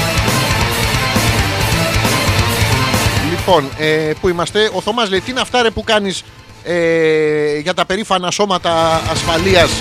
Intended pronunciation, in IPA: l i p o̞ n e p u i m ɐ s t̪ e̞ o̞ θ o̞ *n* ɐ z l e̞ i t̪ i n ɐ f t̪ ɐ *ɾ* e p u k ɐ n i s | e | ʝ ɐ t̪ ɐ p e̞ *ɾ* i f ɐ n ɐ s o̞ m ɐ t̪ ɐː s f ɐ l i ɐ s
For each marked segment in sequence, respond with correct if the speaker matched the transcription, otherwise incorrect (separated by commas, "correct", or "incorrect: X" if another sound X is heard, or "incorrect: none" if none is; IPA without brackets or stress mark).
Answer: incorrect: m, correct, correct